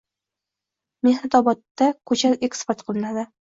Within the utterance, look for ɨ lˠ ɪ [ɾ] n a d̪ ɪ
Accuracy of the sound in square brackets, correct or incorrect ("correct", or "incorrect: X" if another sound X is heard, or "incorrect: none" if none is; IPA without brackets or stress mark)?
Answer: incorrect: none